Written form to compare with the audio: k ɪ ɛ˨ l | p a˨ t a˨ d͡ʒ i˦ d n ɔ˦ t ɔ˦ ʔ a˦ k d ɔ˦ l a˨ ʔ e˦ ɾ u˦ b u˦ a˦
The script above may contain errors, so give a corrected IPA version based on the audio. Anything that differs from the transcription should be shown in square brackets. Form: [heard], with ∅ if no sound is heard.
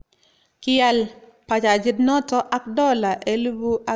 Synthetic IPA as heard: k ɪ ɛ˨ l | p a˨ [t͡ʃ] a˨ d͡ʒ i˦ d n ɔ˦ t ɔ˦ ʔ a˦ k d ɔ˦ l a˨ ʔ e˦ [l] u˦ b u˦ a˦